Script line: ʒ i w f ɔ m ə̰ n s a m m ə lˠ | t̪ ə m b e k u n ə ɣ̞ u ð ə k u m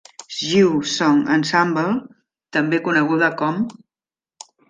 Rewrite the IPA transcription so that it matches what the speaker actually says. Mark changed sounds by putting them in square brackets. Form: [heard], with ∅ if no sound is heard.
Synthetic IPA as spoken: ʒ i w [s] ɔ [ŋ] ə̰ n s a m [b] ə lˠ | t̪ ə m b e k u n ə ɣ̞ u ð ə k [ɔ] m